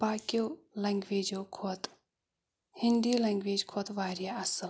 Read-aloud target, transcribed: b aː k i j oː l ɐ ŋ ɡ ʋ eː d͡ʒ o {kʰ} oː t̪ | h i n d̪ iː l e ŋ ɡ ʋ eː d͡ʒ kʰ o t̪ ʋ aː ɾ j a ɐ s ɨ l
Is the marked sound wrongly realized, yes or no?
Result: no